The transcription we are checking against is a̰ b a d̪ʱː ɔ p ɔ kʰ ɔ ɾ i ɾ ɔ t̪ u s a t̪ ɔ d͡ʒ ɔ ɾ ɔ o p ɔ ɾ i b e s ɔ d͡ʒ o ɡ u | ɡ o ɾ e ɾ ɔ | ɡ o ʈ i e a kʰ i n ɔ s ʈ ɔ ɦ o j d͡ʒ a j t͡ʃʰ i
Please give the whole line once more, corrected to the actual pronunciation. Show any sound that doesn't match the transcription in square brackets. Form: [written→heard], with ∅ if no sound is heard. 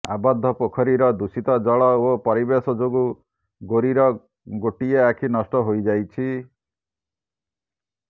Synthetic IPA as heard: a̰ b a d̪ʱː ɔ p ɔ kʰ ɔ ɾ i ɾ ɔ [t̪→d̪] u s [a→i] t̪ ɔ d͡ʒ ɔ [ɾ→ɭ] ɔ o p ɔ ɾ i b e s ɔ d͡ʒ o ɡ u | ɡ o ɾ [e→i] ɾ ɔ | ɡ o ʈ i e a kʰ i n ɔ s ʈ ɔ ɦ o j d͡ʒ a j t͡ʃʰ i